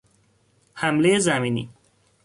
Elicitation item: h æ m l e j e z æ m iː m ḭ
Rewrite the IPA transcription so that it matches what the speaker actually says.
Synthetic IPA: h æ m l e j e z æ m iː n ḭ